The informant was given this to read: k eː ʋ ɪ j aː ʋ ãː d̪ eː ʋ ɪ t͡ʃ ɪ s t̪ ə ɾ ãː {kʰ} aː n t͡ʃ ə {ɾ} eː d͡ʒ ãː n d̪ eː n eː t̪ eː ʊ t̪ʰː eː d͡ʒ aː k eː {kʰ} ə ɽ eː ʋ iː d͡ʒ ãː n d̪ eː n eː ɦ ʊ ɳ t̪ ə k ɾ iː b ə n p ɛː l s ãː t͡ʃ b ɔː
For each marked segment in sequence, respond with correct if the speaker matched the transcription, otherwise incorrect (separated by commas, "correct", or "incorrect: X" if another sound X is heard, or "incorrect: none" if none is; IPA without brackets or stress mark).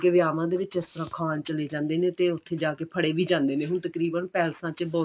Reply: correct, incorrect: l, incorrect: pʰ